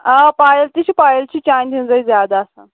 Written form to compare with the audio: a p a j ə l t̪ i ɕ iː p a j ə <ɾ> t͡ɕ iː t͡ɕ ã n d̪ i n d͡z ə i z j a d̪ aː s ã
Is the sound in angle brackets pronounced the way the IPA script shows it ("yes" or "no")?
no